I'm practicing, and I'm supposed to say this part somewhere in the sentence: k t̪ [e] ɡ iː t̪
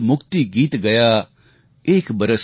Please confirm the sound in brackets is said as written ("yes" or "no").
no